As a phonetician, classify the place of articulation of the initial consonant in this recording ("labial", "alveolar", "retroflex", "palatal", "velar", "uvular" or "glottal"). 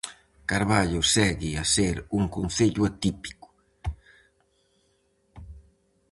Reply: velar